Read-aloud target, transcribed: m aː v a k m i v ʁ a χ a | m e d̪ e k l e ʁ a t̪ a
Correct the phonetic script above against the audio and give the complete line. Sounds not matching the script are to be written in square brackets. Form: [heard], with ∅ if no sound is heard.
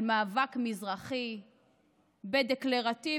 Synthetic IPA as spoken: m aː v a k m i [z] ʁ a χ [i] | [b] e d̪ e k l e ʁ a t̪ [i]